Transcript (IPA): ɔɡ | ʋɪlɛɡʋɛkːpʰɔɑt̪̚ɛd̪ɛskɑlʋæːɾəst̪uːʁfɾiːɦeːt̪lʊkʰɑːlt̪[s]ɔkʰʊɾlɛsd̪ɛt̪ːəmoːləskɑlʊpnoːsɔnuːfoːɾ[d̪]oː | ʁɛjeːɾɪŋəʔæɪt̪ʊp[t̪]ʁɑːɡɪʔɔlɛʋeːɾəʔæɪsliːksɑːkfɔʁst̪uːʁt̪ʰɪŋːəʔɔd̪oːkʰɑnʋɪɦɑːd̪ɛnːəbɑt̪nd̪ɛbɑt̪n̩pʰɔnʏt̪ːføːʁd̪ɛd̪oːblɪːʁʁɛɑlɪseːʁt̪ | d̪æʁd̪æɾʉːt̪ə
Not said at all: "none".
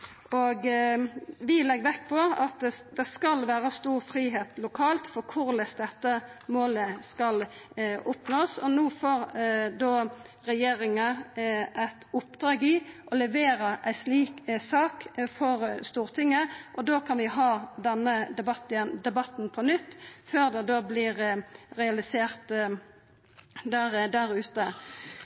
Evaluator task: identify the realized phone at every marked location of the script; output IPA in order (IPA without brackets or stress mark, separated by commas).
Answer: f, d̪, d̪